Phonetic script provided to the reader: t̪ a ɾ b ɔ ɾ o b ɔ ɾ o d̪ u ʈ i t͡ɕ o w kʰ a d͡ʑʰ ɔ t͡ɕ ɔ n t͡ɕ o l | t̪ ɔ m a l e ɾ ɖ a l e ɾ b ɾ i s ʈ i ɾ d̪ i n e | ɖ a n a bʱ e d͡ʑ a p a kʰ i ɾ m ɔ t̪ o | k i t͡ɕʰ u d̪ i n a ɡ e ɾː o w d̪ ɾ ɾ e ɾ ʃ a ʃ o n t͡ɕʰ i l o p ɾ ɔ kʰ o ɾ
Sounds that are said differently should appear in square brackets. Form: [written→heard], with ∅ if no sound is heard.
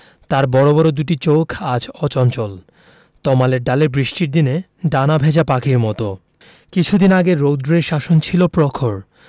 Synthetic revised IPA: t̪ a ɾ b ɔ ɾ o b ɔ ɾ o d̪ u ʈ i t͡ɕ o w kʰ a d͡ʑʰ ɔ t͡ɕ ɔ n t͡ɕ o l | t̪ ɔ m a l e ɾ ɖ a l e ɾ b ɾ i [s→ʃ] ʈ i ɾ d̪ i n e | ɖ a n a bʱ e d͡ʑ a p a kʰ i ɾ m ɔ t̪ o | k i t͡ɕʰ u d̪ i n a ɡ e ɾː o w d̪ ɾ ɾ e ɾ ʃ a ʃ o n t͡ɕʰ i l o p ɾ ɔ kʰ o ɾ

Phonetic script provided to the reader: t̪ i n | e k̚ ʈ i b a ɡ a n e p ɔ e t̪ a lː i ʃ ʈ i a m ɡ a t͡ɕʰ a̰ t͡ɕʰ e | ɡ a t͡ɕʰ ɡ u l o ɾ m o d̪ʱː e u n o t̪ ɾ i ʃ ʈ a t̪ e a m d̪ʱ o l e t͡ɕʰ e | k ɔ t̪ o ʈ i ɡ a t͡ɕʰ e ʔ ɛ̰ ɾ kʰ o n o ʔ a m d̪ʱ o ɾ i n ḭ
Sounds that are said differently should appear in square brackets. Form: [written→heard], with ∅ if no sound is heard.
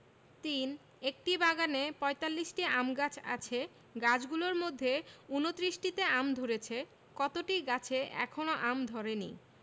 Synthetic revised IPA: t̪ i n | e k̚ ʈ i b a ɡ a n e p ɔ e t̪ a lː i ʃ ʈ i a m ɡ a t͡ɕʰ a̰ t͡ɕʰ e | ɡ a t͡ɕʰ ɡ u l o ɾ m o d̪ʱː e u n o t̪ ɾ i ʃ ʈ [a→i] t̪ e a m d̪ʱ o [l→ɾ] e t͡ɕʰ e | k ɔ t̪ o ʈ i ɡ a t͡ɕʰ e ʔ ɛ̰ [ɾ→∅] kʰ o n o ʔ a m d̪ʱ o ɾ [i→e] n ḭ

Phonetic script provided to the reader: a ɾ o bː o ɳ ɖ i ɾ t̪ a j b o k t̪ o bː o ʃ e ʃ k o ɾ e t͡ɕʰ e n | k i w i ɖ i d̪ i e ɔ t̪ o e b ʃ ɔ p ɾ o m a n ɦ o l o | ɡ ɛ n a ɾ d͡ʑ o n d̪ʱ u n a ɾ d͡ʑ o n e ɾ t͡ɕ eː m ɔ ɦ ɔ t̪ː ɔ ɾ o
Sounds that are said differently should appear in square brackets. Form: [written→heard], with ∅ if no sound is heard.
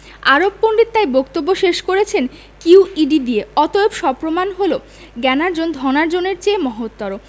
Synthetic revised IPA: a ɾ o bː o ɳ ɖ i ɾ t̪ a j b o k t̪ o bː o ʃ e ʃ k o ɾ e t͡ɕʰ e n | k i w i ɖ i d̪ i e ɔ t̪ o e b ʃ ɔ p ɾ o m a n ɦ o l o | ɡ ɛ n a ɾ d͡ʑ o n d̪ʱ [u→ɔ] n a ɾ d͡ʑ o n e ɾ t͡ɕ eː m ɔ ɦ [ɔ→o] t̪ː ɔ ɾ o

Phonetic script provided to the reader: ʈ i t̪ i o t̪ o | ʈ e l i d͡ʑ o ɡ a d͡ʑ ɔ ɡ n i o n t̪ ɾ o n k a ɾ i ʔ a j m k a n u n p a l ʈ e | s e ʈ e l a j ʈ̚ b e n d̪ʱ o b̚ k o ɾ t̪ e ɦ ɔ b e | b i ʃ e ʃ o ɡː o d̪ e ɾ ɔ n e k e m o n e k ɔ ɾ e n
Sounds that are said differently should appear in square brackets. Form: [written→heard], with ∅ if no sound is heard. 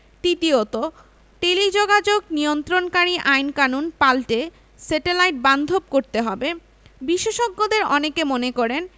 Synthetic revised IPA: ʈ i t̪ i o t̪ o | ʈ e l i d͡ʑ o ɡ a d͡ʑ [ɔ→o] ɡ n i o n t̪ ɾ o n k a ɾ i ʔ a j [m→n] k a n u n p a l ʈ e | s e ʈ e l a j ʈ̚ b [e→a] n d̪ʱ o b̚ k o ɾ t̪ e ɦ ɔ b e | b i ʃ e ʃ o ɡː o d̪ e ɾ ɔ n e k e m o n e k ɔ ɾ e n

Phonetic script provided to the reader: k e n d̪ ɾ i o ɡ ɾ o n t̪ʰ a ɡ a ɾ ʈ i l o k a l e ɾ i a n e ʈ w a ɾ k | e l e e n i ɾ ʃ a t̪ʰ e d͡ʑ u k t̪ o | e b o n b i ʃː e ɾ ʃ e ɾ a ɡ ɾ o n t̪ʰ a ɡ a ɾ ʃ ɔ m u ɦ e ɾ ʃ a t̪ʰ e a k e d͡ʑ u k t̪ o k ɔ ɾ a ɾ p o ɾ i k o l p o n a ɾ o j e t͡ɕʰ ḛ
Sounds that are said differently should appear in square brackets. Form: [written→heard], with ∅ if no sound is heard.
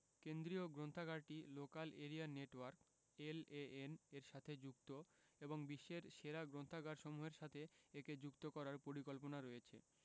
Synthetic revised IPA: k e n d̪ ɾ i o ɡ ɾ o n t̪ʰ a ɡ a ɾ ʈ i l o k a l e ɾ i a n e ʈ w a ɾ k | e l e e n [i→e] ɾ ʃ a t̪ʰ e d͡ʑ u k t̪ o | e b o [n→ŋ] b i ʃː e ɾ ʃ e ɾ a ɡ ɾ o n t̪ʰ a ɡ a ɾ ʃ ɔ m u ɦ e ɾ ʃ a t̪ʰ e [a→e] k e d͡ʑ u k t̪ o k ɔ ɾ a ɾ p o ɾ i k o l p o n a ɾ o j e t͡ɕʰ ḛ

